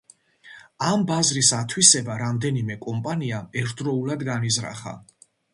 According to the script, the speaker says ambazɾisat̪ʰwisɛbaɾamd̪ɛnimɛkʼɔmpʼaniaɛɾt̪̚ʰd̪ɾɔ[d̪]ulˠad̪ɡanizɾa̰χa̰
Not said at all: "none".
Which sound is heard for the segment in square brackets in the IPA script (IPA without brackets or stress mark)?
none